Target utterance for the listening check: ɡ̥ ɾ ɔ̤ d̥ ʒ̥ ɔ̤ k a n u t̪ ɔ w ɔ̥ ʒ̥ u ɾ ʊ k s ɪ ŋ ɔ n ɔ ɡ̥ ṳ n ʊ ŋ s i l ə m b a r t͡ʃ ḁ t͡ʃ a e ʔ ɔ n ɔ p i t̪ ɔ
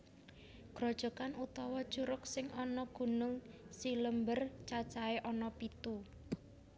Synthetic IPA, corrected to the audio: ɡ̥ ɾ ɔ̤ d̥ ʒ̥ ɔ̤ k a n u t̪ ɔ w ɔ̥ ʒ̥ u ɾ ʊ k s ɪ ŋ ɔ n ɔ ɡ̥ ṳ n ʊ ŋ s i l ə m b ə r t͡ʃ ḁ t͡ʃ a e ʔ ɔ n ɔ p i t̪ u